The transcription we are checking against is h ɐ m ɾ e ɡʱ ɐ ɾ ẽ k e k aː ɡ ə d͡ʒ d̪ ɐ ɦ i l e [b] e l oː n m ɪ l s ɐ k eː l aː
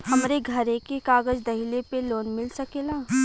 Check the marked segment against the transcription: incorrect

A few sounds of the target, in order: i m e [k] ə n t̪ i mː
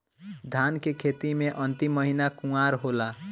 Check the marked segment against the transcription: incorrect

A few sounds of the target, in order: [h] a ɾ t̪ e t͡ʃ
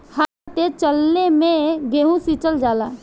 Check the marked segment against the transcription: correct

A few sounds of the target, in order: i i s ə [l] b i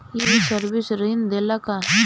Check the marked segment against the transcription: incorrect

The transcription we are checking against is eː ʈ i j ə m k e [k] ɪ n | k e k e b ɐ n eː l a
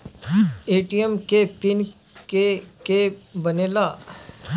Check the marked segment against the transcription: incorrect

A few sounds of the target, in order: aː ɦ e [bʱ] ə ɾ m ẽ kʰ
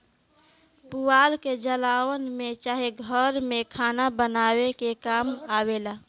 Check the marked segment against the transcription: incorrect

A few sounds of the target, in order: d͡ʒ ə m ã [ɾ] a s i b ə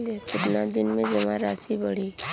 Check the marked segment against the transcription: correct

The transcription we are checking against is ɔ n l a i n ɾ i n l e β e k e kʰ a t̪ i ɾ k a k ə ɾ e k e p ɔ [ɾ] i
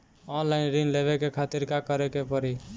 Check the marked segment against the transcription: correct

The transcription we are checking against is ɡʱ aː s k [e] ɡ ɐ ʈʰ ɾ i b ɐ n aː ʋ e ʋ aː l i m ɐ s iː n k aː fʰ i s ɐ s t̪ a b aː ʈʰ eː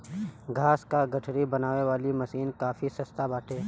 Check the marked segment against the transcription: incorrect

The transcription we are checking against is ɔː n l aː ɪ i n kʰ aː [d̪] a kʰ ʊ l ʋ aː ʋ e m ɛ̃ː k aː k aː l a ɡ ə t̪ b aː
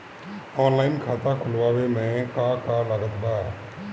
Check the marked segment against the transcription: incorrect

